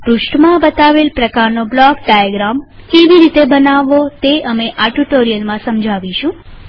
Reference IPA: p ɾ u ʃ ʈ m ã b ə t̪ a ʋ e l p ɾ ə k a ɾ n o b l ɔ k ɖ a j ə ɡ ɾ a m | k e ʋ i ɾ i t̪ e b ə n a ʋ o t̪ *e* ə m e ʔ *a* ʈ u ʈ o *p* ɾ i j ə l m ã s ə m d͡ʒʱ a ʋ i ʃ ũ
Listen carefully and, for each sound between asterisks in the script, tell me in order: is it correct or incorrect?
correct, correct, incorrect: none

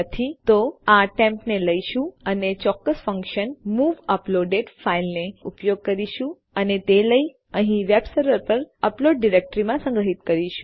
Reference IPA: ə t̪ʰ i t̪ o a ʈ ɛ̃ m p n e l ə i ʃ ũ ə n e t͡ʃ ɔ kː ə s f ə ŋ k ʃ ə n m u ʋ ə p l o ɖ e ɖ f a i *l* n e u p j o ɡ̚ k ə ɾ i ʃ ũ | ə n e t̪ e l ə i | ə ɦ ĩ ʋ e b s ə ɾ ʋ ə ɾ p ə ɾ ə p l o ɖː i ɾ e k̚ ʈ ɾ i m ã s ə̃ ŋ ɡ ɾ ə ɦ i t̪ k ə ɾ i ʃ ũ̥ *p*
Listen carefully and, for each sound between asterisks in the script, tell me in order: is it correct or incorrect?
correct, incorrect: none

